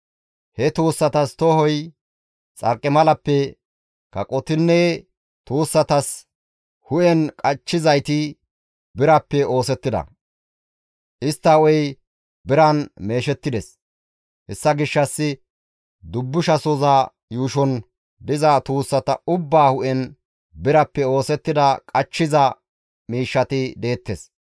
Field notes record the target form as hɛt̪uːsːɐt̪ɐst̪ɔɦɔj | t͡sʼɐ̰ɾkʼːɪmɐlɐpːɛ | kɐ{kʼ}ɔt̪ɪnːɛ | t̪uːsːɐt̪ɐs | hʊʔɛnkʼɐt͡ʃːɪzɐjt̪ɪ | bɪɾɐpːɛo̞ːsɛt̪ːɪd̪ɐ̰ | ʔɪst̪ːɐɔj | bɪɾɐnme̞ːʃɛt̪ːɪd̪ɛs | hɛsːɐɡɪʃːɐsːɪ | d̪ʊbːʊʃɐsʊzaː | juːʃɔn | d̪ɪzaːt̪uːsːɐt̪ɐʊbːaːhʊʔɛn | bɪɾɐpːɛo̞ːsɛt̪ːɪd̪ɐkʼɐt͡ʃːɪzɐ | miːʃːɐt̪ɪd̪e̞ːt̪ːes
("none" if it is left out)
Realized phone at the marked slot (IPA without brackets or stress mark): kʼ